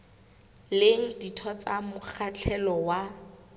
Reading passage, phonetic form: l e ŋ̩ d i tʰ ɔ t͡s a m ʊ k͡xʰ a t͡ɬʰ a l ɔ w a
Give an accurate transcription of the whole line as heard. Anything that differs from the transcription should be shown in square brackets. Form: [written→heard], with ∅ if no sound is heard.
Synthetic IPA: l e ŋ̩ d i tʰ ɔ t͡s a m ʊ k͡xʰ a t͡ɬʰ [a→ɛ] l ɔ w a

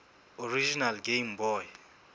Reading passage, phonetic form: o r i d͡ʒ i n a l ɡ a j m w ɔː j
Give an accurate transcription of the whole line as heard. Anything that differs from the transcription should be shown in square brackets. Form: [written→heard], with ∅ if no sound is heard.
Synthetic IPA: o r i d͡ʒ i n a l ɡ [a→e] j m [w→b] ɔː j

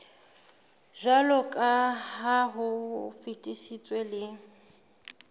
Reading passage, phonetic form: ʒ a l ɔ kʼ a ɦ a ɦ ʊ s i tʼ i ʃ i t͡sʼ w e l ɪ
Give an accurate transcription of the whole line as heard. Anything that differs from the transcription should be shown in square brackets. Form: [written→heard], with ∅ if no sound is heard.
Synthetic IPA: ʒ a l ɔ kʼ a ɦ a ɦ ʊ [s→f] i tʼ i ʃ i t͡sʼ w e l ɪ

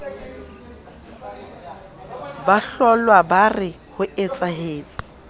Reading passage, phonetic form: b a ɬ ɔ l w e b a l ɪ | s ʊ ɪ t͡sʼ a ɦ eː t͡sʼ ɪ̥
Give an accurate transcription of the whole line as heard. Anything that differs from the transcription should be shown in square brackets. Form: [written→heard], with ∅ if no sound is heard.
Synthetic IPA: b a ɬ ɔ l w [e→a] b a [l→r] ɪ | [s→h] ʊ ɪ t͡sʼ a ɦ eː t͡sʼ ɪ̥

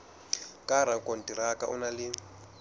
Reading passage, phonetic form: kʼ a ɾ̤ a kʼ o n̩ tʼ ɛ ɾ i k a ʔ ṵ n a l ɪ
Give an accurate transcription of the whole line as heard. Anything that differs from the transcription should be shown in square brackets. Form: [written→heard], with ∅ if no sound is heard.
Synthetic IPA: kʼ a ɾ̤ a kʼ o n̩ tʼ [ɛ→i] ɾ [i→a] k a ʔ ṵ n a l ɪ

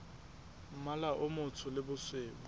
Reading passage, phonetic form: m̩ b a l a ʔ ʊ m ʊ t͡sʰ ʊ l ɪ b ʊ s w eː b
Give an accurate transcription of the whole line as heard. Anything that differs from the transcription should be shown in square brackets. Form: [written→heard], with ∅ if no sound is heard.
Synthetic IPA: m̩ [b→m] a l a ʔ ʊ m ʊ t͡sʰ ʊ l ɪ b ʊ s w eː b

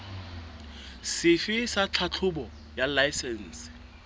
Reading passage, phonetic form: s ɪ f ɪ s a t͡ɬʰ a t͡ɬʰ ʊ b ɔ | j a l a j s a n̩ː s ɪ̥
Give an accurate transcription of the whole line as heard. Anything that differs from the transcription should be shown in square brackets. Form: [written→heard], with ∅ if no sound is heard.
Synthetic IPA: s ɪ f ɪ s a t͡ɬʰ a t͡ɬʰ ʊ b ɔ | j a l a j s [a→ɛ] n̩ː s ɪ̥

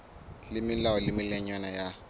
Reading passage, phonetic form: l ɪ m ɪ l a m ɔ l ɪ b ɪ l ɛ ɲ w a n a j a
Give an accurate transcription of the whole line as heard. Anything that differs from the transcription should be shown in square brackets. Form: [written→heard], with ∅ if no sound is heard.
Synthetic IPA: l ɪ m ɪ l a [m→∅] ɔ l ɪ [b→m] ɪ l ɛ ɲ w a n a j a

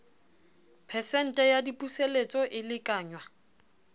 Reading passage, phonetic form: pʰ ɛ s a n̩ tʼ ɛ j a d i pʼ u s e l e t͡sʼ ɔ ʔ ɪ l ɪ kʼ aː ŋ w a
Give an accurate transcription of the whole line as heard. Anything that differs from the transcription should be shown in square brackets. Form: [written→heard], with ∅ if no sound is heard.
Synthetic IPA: pʰ ɛ s [a→ɛ] n̩ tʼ ɛ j a d i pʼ u s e l e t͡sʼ ɔ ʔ ɪ l ɪ kʼ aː [ŋ→ɲ] w a

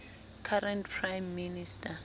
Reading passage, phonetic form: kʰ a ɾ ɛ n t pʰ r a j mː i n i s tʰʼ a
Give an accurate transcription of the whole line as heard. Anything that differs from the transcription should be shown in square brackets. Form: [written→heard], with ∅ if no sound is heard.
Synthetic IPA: kʰ a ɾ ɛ n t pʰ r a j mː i n i s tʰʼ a

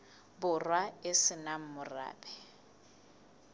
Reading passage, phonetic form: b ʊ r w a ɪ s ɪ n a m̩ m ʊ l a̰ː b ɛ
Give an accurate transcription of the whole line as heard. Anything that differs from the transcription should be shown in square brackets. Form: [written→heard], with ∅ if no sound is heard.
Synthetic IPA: b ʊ r w a ɪ s ɪ n a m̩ m ʊ [l→r] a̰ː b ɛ

